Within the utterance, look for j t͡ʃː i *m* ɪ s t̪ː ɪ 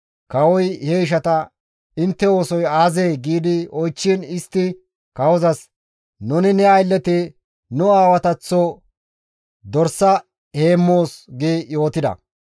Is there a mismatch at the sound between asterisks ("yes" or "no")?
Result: yes